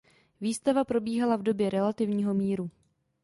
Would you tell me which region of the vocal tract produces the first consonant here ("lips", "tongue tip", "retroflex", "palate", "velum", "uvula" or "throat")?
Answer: lips